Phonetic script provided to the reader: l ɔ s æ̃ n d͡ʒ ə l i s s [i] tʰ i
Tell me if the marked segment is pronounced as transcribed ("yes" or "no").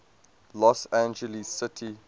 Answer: no